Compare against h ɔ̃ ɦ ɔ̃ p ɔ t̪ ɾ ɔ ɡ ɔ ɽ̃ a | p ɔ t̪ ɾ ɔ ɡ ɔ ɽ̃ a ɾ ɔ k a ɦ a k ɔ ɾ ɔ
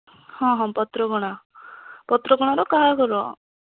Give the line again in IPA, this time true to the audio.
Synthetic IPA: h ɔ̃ ɦ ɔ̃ p ɔ t̪ ɾ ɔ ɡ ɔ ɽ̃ a | p ɔ t̪ ɾ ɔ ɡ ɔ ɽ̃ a ɾ ɔ k a ɦ a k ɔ ɾ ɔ